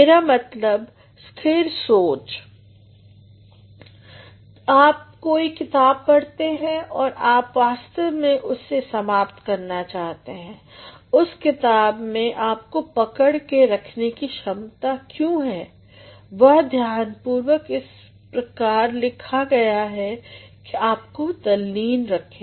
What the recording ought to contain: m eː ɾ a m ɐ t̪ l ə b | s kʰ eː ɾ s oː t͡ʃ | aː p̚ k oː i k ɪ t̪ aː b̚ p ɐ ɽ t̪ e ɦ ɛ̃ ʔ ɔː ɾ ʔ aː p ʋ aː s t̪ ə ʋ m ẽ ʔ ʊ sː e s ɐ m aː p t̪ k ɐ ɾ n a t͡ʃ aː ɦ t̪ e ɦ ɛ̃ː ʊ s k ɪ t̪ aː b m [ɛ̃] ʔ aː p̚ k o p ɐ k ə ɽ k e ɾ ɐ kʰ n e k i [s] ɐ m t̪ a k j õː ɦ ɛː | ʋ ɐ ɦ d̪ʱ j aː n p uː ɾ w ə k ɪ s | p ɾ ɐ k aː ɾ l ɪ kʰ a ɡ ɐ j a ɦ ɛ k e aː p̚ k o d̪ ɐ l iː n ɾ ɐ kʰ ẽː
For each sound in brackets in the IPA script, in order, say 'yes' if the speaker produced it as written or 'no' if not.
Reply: no, no

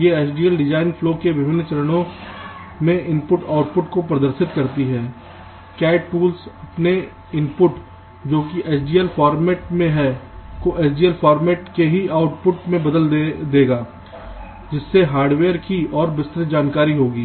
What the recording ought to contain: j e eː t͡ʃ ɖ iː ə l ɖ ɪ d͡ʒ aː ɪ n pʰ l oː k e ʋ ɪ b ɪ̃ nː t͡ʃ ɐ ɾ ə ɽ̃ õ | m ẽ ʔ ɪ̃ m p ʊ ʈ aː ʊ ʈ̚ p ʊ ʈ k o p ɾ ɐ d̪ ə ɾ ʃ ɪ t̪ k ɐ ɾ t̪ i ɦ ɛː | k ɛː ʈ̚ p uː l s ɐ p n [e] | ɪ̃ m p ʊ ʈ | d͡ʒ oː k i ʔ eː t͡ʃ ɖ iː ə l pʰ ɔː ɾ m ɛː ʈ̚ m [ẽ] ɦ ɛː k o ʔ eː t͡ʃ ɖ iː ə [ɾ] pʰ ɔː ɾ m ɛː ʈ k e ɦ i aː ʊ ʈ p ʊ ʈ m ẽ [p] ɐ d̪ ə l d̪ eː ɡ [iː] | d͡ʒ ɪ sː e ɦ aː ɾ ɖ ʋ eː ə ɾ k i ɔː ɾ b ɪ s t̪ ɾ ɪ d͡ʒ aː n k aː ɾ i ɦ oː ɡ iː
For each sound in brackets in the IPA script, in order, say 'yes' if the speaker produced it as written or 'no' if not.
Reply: yes, yes, no, no, no

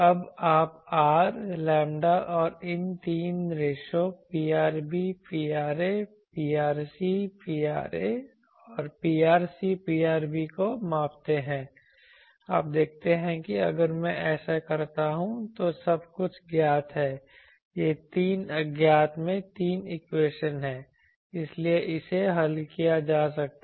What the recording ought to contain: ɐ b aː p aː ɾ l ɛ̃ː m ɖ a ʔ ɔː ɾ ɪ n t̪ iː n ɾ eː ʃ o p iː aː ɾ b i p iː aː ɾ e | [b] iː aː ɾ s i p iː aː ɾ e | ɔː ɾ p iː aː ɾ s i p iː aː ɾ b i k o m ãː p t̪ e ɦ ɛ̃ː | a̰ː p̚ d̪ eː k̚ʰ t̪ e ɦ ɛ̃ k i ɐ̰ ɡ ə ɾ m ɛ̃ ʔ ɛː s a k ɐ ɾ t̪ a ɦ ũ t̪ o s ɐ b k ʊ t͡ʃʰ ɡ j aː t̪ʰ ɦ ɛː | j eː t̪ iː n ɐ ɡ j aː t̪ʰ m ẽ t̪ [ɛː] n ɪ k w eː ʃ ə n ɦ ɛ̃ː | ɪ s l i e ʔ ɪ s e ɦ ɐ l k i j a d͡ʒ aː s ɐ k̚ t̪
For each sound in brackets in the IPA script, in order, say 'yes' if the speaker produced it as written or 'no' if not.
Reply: no, no

